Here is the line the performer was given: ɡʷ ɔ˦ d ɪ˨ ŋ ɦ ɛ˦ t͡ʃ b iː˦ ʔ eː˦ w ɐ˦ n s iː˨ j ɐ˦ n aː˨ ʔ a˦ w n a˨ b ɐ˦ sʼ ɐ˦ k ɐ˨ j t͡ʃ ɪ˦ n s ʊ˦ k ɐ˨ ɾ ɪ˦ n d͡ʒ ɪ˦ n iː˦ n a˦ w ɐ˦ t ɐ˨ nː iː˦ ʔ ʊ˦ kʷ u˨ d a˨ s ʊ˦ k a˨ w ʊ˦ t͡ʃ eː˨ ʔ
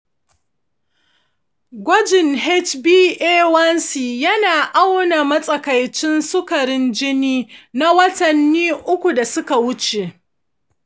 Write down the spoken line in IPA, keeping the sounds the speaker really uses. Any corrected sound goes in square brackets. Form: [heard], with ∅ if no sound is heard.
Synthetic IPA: ɡʷ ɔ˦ [d͡ʒ] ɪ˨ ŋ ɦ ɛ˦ t͡ʃ b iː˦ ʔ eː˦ w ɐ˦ n s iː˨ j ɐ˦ n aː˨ ʔ a˦ w n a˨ [m] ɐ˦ sʼ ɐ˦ k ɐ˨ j t͡ʃ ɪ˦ n s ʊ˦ k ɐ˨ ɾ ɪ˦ n d͡ʒ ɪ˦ n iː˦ n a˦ w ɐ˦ t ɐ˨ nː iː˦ ʔ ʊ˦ kʷ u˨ d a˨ s ʊ˦ k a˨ w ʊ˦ t͡ʃ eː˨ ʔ